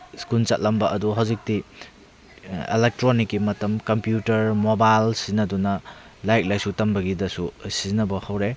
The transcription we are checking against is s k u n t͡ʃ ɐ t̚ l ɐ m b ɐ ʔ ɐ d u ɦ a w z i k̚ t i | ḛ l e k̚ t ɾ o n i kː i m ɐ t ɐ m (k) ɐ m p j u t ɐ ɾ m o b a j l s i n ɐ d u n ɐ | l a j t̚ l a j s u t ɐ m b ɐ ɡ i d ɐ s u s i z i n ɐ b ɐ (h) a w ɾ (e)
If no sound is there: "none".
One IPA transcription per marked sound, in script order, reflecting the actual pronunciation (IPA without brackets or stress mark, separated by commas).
k, h, e